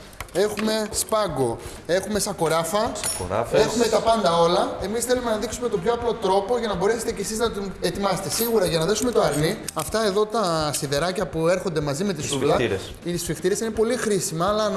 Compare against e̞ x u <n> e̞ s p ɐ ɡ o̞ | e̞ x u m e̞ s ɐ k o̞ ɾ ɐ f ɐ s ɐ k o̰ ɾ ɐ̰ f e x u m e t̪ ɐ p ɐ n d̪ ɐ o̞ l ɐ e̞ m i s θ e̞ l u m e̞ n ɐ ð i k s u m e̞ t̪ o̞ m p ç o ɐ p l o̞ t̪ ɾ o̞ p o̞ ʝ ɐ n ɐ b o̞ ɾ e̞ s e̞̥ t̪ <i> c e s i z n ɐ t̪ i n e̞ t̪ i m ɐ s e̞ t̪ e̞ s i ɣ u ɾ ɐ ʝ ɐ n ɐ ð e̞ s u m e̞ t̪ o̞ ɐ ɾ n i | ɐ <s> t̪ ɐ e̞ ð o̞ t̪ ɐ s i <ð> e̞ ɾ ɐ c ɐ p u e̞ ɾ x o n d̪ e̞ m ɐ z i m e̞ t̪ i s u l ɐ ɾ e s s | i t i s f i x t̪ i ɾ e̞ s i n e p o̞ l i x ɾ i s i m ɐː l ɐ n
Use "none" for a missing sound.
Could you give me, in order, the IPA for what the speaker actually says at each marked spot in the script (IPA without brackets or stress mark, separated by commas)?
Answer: m, e, f, ð